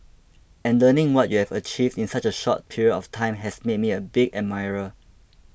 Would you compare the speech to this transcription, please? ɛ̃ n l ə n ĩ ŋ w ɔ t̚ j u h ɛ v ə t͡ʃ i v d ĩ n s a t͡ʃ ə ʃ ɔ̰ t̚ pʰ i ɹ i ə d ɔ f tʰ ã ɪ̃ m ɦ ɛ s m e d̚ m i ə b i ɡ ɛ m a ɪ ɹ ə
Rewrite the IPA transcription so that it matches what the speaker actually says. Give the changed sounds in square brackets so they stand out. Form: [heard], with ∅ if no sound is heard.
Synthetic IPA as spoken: ɛ̃ n l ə n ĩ ŋ w ɔ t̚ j u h ɛ v ə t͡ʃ i v d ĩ n s a t͡ʃ ə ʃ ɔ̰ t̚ pʰ i ɹ i ə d ɔ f tʰ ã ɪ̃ m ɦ ɛ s m e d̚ m i ə b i ɡ ɛ m a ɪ ɹ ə